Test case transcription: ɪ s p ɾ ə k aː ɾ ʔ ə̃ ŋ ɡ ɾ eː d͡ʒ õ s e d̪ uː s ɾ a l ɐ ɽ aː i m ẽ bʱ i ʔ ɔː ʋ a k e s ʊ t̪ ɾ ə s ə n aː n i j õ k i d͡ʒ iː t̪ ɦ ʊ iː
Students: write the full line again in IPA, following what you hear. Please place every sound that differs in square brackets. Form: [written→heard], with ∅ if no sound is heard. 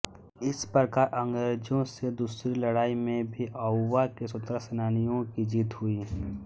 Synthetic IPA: ɪ s p ɾ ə k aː ɾ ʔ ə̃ ŋ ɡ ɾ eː d͡ʒ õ s e d̪ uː s ɾ [a→i] l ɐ ɽ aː i m ẽ bʱ i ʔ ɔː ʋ a k e s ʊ t̪ ɾ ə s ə n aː n i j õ k i d͡ʒ iː t̪ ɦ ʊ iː